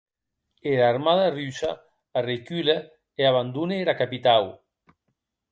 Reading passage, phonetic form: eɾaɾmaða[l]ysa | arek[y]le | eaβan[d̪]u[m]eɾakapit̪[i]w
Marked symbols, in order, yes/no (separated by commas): no, yes, yes, no, no